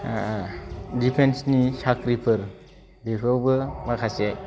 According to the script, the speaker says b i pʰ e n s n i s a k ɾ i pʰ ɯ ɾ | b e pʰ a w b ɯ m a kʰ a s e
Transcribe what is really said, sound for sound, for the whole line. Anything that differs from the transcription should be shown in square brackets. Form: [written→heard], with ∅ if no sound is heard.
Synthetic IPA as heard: [b→d] i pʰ e n s n i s a k ɾ i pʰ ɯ ɾ | b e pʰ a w b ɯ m a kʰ a s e